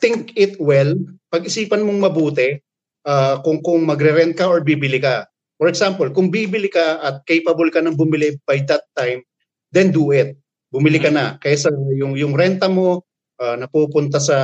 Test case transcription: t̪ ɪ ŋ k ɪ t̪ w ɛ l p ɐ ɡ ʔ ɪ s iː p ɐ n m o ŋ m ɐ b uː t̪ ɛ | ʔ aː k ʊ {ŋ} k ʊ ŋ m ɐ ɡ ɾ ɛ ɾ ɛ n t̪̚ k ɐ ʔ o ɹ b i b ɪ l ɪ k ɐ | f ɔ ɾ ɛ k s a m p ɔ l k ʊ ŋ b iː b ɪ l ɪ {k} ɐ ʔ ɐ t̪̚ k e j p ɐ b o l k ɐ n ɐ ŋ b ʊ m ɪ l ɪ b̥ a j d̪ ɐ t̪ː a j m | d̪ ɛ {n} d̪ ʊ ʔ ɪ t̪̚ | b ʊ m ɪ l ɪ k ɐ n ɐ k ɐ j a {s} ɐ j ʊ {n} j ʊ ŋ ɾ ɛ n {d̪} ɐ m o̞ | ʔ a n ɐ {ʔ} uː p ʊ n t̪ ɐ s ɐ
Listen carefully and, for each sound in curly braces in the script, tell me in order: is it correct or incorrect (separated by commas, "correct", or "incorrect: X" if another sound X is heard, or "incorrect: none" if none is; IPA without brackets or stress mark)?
correct, correct, correct, correct, incorrect: ŋ, incorrect: t̪, incorrect: p